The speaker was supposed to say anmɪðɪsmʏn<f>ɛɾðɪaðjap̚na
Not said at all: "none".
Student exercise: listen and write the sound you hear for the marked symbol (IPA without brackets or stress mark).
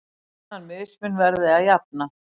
v